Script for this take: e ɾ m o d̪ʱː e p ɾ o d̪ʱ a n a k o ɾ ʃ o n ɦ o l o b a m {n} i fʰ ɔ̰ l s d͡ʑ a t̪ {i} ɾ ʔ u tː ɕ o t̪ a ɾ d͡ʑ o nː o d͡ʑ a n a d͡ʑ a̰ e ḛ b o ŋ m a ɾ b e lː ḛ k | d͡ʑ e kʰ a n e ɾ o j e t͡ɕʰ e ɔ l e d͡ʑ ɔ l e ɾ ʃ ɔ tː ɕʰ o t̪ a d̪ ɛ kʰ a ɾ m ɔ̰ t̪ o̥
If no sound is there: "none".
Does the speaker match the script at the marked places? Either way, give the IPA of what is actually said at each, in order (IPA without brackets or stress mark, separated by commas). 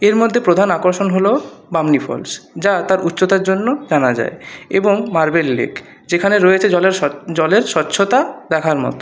n, a